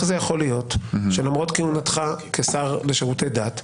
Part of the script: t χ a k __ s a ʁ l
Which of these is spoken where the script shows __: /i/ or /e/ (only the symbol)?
e